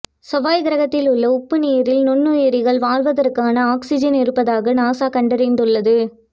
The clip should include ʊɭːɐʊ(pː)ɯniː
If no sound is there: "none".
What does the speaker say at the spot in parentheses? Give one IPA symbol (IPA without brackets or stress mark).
pː